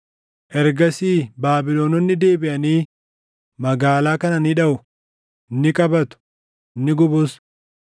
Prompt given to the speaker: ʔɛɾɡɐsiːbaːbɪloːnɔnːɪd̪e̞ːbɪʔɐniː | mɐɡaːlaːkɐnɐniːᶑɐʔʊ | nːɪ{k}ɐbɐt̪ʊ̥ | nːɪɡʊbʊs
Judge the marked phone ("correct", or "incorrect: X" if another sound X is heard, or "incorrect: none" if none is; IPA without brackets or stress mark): incorrect: kʼ